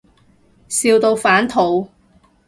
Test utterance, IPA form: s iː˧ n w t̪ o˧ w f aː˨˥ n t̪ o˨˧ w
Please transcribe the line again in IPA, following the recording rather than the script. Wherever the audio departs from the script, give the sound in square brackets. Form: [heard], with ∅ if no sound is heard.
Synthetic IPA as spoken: s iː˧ [∅] w t̪ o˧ w f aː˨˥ n [t̪ʰ] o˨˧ w